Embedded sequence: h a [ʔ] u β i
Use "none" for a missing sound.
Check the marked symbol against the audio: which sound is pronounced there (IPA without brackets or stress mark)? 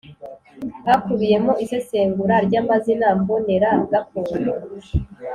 k